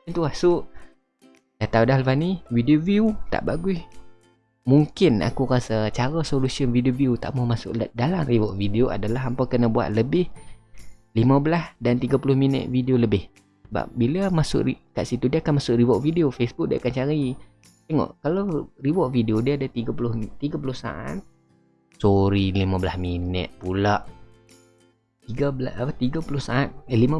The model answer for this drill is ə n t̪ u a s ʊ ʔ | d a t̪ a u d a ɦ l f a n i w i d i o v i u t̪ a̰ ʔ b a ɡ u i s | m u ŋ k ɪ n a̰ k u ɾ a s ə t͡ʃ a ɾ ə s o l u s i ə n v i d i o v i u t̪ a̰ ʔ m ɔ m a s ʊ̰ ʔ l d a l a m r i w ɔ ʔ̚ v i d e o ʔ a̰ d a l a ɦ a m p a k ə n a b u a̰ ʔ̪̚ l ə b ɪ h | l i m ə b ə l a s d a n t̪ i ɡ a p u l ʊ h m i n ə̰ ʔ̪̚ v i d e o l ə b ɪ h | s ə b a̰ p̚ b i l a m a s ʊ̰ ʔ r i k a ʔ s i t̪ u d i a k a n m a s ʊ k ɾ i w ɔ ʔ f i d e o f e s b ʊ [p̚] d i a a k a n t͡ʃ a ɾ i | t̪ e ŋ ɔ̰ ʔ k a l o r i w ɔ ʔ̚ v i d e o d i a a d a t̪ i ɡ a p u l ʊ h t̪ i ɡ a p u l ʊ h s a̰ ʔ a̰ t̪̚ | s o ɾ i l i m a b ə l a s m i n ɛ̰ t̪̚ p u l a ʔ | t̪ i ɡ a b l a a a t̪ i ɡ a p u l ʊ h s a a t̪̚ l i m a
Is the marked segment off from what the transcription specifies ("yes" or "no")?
yes